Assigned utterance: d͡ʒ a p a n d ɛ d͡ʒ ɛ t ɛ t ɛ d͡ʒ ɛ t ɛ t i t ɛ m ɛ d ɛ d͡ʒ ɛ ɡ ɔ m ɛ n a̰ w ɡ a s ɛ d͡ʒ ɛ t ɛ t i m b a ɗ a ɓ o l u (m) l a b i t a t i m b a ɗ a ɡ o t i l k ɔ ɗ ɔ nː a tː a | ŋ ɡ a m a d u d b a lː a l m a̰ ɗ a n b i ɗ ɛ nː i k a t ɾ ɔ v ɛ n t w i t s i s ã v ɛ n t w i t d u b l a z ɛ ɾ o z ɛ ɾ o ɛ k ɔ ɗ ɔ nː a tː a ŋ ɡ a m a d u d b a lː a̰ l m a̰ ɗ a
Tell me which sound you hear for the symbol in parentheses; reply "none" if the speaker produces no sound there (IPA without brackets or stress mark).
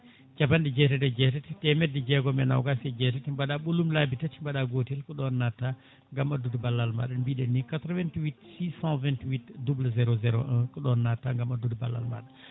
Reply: m